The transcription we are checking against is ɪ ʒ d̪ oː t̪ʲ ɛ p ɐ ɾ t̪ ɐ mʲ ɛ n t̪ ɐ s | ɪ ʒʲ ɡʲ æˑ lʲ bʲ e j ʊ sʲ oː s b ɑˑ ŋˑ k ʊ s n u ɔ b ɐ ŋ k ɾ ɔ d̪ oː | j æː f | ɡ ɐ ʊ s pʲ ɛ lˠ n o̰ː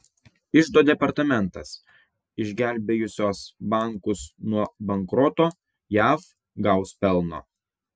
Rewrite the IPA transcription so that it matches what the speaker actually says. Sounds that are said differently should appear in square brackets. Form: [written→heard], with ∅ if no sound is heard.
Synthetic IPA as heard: ɪ ʒ d̪ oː [t̪ʲ→d̪ʲ] ɛ p ɐ ɾ t̪ ɐ mʲ ɛ n t̪ ɐ s | ɪ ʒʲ ɡʲ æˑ lʲ bʲ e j ʊ sʲ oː s b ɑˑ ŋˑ k ʊ s n u ɔ b ɐ ŋ k ɾ ɔ [d̪→t̪] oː | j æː f | ɡ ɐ ʊ s pʲ ɛ lˠ n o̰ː

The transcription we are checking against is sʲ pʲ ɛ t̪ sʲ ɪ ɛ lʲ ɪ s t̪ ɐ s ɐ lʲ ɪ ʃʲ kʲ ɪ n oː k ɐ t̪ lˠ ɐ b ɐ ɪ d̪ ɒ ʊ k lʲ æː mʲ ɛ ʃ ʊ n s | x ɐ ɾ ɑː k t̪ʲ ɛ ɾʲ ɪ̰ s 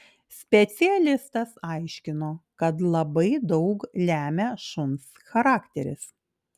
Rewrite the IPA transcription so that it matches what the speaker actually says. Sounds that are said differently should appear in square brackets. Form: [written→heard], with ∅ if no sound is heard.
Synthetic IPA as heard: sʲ pʲ ɛ t̪ sʲ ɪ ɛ lʲ ɪ s t̪ ɐ s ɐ [lʲ→∅] ɪ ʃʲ kʲ ɪ n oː k ɐ t̪ lˠ ɐ b ɐ ɪ d̪ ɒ ʊ k lʲ æː mʲ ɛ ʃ ʊ n s | x ɐ ɾ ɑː k t̪ʲ ɛ ɾʲ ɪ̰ s

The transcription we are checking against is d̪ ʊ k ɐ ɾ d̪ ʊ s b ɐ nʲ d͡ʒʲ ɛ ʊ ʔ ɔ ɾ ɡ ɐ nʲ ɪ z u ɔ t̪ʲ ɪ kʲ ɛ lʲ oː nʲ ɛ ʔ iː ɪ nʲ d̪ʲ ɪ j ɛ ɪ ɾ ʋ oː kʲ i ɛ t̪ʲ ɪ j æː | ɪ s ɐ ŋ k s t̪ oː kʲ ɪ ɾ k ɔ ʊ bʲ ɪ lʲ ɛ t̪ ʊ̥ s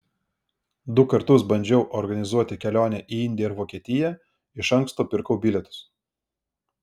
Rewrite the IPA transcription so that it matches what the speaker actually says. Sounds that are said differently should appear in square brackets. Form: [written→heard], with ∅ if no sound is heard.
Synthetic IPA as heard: d̪ ʊ k ɐ ɾ [d̪→t̪] ʊ s b ɐ nʲ d͡ʒʲ ɛ ʊ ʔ ɔ ɾ ɡ ɐ nʲ ɪ z u ɔ t̪ʲ ɪ kʲ ɛ lʲ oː nʲ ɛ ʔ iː ɪ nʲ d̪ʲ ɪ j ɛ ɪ ɾ ʋ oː kʲ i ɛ t̪ʲ ɪ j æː | ɪ [s→ʃ] ɐ ŋ k s t̪ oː [kʲ→pʲ] ɪ ɾ k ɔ ʊ bʲ ɪ lʲ ɛ t̪ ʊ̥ s

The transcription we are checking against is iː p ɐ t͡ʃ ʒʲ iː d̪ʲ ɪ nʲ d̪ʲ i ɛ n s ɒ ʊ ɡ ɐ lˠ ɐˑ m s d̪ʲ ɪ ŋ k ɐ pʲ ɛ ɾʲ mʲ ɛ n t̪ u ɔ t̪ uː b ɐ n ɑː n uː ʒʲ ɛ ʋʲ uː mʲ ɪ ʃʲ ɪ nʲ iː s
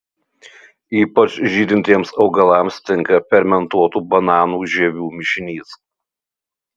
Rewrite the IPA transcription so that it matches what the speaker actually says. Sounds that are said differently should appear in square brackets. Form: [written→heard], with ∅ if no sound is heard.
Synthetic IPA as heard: iː p ɐ t͡ʃ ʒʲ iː d̪ʲ ɪ nʲ [d̪ʲ→t̪ʲ] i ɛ [n→m] s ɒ ʊ ɡ ɐ lˠ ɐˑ m s [d̪ʲ→t̪ʲ] ɪ ŋ k ɐ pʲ ɛ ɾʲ mʲ ɛ n t̪ u ɔ t̪ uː b ɐ n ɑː n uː ʒʲ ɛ ʋʲ uː mʲ ɪ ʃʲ ɪ nʲ iː s

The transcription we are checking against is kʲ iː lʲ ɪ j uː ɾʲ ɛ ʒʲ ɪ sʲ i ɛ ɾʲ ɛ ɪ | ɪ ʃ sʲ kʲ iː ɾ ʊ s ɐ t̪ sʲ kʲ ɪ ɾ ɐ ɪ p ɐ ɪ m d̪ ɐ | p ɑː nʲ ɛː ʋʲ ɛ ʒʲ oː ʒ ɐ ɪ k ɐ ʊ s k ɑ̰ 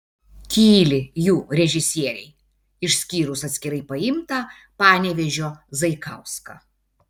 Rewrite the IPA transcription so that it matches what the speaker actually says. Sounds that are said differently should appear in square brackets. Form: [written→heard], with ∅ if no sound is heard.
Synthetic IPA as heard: kʲ iː lʲ ɪ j uː ɾʲ ɛ ʒʲ ɪ sʲ i ɛ ɾʲ ɛ ɪ | ɪ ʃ sʲ kʲ iː ɾ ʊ s ɐ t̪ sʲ kʲ ɪ ɾ ɐ ɪ p ɐ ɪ m [d̪→t̪] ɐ | p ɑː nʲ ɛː ʋʲ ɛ ʒʲ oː [ʒ→z] ɐ ɪ k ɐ ʊ s k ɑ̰

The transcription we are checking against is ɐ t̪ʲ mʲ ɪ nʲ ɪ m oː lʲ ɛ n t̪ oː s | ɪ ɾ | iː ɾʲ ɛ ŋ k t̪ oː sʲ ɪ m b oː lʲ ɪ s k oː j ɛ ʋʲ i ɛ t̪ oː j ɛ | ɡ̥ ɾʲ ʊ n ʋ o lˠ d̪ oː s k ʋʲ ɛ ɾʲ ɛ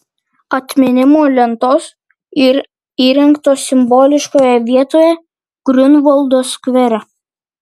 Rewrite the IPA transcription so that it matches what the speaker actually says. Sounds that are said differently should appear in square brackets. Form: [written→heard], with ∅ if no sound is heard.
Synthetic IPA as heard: ɐ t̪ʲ mʲ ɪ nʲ ɪ m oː lʲ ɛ n t̪ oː s | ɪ ɾ | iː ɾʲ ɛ ŋ k t̪ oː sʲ ɪ m b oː lʲ ɪ [s→ʃ] k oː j ɛ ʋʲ i ɛ t̪ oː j ɛ | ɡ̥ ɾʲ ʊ n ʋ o lˠ d̪ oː s k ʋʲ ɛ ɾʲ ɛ

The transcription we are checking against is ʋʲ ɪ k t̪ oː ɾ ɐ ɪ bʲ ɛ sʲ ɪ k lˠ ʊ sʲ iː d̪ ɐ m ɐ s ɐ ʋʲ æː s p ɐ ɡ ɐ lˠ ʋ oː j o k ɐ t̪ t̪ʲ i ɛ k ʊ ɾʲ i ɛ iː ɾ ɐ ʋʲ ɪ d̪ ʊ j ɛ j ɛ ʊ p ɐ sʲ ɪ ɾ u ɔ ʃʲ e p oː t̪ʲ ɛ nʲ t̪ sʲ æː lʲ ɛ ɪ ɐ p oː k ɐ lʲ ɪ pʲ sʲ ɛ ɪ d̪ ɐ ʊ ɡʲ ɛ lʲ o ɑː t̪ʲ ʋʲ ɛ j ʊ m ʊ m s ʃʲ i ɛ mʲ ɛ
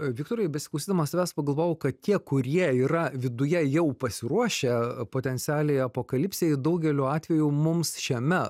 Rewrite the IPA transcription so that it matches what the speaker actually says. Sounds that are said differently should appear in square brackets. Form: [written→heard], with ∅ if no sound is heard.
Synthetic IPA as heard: ʋʲ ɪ k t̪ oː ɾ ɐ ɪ bʲ ɛ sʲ ɪ k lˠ ʊ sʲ iː d̪ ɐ m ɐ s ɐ ʋʲ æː s p ɐ ɡ ɐ lˠ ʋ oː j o k ɐ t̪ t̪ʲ i ɛ k ʊ ɾʲ i ɛ iː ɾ ɐ ʋʲ ɪ d̪ ʊ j ɛ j ɛ ʊ p ɐ sʲ ɪ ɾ u ɔ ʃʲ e p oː t̪ʲ ɛ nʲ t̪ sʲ æː lʲ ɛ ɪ ɐ p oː k ɐ lʲ ɪ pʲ sʲ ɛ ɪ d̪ ɐ ʊ ɡʲ ɛ lʲ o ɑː t̪ʲ ʋʲ ɛ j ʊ m ʊ m s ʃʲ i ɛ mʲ ɛ

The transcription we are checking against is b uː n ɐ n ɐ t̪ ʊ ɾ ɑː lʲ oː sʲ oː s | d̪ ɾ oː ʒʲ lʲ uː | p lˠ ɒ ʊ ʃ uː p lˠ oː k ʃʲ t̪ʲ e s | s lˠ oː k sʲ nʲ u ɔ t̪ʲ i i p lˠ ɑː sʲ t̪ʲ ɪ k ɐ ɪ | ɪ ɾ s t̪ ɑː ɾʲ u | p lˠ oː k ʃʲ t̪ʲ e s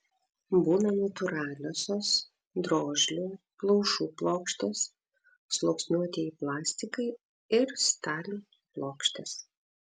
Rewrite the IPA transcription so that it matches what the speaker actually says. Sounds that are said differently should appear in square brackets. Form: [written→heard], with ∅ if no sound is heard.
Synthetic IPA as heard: b uː n ɐ n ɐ t̪ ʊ ɾ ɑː lʲ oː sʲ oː s | d̪ ɾ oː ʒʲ lʲ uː | p lˠ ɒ ʊ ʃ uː p lˠ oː k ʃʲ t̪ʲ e s | s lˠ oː k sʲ nʲ u ɔ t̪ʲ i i p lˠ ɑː sʲ t̪ʲ ɪ k ɐ ɪ | ɪ ɾ s t̪ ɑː [ɾʲ→lʲ] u | p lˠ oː k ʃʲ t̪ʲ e s

